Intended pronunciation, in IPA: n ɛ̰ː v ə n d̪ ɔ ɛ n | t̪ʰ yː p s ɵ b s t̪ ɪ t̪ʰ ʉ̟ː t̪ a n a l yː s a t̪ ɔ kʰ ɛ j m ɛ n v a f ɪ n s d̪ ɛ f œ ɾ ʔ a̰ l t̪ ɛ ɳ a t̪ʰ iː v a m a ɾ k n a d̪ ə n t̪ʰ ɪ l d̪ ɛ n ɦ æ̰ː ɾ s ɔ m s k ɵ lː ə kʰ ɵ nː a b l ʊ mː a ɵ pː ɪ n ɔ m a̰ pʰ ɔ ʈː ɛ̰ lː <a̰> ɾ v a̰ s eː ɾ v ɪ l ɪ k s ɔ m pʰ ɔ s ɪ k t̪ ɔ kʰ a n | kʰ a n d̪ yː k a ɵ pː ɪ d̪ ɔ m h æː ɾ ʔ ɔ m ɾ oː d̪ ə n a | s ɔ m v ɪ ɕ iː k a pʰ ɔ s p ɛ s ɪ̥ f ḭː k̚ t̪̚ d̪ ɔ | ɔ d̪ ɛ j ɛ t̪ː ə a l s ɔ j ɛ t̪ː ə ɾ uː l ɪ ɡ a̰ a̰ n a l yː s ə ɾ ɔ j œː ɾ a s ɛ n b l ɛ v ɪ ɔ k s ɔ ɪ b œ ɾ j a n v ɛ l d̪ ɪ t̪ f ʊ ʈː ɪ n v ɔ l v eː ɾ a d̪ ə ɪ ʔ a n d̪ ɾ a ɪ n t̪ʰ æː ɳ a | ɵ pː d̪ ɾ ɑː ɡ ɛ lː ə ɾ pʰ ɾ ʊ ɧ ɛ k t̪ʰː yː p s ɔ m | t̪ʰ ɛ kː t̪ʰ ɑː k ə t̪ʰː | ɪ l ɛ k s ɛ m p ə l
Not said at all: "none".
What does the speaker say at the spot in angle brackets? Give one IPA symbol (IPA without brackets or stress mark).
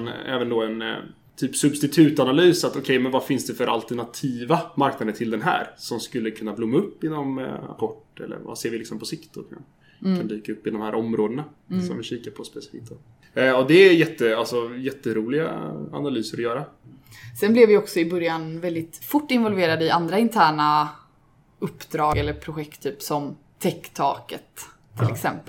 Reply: ə̰